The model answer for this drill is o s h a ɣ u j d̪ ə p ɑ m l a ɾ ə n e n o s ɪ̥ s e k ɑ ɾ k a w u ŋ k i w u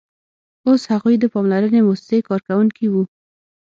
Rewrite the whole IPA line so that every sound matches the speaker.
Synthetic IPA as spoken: o s h a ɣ u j d̪ ə p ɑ m l a ɾ ə n e m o s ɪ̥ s e k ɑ ɾ k a w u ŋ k i w u